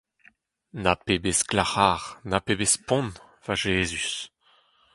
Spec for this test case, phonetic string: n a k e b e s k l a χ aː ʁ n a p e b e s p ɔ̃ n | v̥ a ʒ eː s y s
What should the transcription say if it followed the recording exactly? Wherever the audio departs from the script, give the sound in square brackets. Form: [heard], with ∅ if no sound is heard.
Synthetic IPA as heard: n a [p] e b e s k l a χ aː ʁ n a p e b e s p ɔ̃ n | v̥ a ʒ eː [z] y s